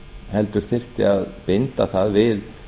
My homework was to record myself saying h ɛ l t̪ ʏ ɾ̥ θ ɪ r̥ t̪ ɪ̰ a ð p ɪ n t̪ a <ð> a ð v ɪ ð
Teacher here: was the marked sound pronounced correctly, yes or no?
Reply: no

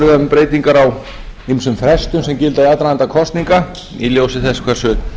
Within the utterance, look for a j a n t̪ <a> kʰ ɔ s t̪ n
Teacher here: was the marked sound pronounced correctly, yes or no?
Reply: yes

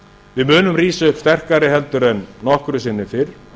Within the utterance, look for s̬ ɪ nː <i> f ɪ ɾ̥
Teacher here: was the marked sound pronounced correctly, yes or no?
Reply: no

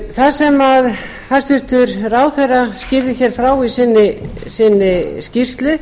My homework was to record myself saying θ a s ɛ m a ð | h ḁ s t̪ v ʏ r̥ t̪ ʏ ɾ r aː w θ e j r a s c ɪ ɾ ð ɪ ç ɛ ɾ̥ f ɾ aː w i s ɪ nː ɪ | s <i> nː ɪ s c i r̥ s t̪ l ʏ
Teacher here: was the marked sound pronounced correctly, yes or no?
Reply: no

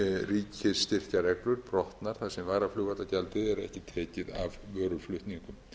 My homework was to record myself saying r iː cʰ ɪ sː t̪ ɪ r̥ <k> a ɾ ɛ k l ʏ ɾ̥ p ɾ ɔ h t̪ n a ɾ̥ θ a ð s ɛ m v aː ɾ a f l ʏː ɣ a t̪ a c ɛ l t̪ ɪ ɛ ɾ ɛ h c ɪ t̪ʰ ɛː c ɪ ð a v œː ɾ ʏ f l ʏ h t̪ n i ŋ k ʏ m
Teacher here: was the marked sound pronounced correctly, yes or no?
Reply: no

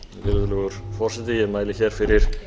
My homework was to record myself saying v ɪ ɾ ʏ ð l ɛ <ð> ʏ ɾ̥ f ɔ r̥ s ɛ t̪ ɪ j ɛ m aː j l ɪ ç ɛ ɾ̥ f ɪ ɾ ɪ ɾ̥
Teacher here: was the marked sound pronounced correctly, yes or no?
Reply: no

